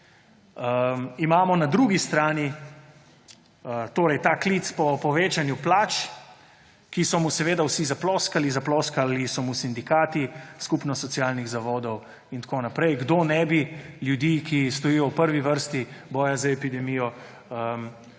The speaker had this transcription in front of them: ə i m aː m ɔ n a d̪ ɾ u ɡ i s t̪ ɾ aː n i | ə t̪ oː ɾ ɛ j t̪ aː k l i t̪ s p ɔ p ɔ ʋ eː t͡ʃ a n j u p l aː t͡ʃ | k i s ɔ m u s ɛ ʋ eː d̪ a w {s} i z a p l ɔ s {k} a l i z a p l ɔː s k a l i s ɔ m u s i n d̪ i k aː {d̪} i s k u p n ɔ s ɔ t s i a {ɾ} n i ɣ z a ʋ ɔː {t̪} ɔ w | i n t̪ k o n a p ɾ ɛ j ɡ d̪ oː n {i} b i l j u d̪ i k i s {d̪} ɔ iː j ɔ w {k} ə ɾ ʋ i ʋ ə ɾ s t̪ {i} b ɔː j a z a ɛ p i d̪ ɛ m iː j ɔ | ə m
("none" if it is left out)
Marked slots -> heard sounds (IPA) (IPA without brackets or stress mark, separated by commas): s, k, t̪, l, d̪, ɛ, t̪, p, i